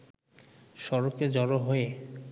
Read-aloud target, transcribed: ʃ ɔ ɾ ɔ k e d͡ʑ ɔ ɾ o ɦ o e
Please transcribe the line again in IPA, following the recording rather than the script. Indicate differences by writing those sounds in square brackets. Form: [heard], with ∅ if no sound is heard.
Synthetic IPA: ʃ ɔ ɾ [o] k e d͡ʑ ɔ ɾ o ɦ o e